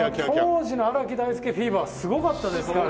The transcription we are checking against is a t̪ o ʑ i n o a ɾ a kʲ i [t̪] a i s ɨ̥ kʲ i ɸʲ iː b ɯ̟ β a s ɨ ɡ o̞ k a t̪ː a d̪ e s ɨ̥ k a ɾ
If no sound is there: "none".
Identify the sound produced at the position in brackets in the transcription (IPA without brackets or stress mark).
d̪